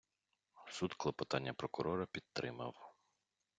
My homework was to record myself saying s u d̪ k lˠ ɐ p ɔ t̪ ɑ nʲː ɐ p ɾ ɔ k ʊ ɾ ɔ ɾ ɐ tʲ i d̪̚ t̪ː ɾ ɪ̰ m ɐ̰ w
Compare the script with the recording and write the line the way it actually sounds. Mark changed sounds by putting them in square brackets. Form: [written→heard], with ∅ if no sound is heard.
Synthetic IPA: s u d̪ k lˠ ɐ p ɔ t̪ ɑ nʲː ɐ p ɾ ɔ k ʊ ɾ ɔ ɾ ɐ [tʲ→pʲ] i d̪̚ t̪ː ɾ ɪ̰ m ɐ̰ w